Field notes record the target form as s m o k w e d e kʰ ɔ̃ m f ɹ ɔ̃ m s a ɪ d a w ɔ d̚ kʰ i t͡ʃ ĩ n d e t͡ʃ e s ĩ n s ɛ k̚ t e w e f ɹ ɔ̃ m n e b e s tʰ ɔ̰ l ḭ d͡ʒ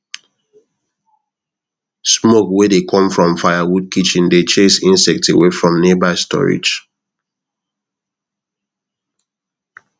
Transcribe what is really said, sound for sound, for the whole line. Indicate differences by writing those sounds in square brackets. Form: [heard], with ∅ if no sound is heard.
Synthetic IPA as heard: s m o k w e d e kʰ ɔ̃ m f ɹ ɔ̃ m [f] a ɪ [∅] a w [u] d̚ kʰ i t͡ʃ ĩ n d e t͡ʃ e s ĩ n s ɛ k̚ t e w e f ɹ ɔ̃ m n e b [a] s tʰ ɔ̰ [ɹ] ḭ d͡ʒ